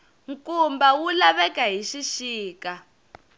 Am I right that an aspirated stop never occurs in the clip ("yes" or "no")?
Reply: yes